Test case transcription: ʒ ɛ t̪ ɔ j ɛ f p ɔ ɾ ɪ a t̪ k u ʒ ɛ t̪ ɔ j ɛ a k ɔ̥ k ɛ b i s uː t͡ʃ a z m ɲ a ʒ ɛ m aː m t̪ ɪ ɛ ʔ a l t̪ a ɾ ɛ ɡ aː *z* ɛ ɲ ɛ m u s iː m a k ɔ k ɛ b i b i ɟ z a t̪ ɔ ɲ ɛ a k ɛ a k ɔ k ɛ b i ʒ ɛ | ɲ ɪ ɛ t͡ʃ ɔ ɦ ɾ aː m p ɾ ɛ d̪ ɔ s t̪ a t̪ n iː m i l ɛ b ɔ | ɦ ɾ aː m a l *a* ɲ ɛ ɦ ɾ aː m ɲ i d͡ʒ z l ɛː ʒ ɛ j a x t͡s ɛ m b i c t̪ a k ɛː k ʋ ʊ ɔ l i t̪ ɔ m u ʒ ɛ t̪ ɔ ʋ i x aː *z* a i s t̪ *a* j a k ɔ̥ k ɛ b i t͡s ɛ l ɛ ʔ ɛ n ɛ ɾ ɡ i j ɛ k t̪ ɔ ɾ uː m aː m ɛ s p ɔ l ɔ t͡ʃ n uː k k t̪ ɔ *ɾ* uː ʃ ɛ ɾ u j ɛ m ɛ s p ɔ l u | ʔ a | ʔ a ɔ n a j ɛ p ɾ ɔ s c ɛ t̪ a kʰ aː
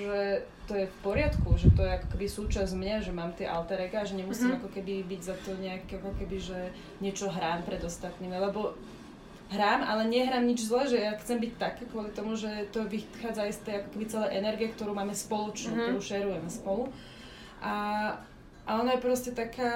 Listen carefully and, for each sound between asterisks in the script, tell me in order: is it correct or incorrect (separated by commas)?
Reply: incorrect, incorrect, incorrect, incorrect, correct